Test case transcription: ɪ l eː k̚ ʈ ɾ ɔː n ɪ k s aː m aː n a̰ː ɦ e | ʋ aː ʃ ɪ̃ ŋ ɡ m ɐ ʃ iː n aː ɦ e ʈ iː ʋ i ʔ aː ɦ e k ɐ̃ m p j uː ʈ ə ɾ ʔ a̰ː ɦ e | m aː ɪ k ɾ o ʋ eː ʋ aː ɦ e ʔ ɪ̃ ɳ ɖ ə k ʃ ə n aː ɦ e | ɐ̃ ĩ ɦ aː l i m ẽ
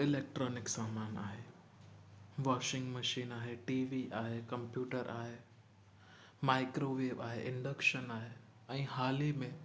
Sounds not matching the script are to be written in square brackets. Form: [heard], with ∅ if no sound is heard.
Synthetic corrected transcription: ɪ l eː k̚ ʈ ɾ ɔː n ɪ k s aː m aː n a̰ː ɦ e | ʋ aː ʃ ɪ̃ ŋ ɡ m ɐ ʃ iː n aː ɦ e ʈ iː ʋ i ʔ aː ɦ e k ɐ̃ m p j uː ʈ ə ɾ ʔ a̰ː ɦ e | m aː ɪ k ɾ o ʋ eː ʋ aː ɦ e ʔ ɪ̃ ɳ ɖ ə k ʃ ə n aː ɦ e | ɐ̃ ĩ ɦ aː l i m ẽ